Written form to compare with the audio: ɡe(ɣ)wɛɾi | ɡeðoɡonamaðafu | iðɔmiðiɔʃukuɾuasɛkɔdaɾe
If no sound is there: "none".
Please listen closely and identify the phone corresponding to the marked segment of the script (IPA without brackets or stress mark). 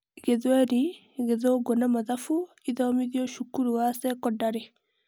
ð